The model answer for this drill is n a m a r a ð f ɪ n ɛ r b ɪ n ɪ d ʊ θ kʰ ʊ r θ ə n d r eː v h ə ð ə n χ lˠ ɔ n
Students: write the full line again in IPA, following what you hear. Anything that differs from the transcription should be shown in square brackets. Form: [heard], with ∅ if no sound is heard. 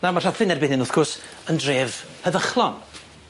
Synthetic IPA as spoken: n a m a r a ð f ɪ n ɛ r b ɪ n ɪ [n] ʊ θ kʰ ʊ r [s] ə n d r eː v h ə ð ə [∅] χ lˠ ɔ n